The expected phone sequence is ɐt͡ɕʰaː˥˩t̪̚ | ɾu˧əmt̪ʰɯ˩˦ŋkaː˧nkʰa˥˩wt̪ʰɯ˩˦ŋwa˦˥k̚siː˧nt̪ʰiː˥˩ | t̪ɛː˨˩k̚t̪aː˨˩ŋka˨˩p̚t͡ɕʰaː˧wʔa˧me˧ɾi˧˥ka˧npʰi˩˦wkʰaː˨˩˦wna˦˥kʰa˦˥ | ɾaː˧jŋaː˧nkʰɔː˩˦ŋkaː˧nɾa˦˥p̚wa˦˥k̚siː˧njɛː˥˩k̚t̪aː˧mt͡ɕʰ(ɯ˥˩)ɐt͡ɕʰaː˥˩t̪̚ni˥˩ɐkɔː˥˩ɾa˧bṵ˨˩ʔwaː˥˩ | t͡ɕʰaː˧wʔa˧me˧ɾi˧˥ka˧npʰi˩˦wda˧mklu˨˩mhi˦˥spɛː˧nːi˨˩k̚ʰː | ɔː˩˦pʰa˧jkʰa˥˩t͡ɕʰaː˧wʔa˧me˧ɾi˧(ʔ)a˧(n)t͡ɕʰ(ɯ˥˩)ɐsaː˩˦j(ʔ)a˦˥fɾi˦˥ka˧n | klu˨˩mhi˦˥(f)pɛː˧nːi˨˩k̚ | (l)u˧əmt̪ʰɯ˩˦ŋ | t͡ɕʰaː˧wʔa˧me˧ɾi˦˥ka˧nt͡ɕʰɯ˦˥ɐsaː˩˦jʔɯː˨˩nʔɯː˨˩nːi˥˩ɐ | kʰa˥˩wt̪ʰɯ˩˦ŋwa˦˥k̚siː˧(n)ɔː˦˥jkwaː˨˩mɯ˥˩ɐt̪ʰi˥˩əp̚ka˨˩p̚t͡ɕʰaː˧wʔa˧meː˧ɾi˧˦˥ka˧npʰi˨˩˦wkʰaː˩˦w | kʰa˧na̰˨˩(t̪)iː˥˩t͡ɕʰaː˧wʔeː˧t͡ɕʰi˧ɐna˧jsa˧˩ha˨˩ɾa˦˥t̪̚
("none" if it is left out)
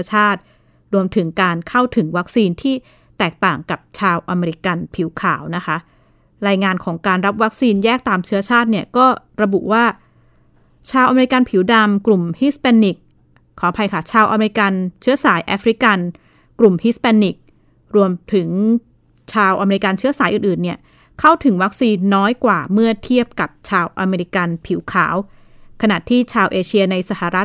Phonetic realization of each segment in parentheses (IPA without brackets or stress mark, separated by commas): ɯ˦˥, k, n, ɯ˦˥, ʔ, s, ɾ, nː, t̪ʰ